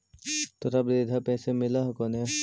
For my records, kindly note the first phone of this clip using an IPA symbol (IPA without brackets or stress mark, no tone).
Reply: t̪